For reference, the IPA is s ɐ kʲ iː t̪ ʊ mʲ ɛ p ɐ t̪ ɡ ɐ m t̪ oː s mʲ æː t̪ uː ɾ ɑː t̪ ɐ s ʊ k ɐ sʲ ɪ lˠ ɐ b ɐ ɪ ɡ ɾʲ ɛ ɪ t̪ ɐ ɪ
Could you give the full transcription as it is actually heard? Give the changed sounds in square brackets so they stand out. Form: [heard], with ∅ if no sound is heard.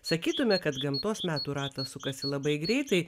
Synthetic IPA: s ɐ kʲ iː t̪ ʊ mʲ ɛ [k] ɐ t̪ ɡ ɐ m t̪ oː s mʲ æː t̪ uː ɾ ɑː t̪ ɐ s ʊ k ɐ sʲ ɪ lˠ ɐ b ɐ ɪ ɡ ɾʲ ɛ ɪ t̪ ɐ ɪ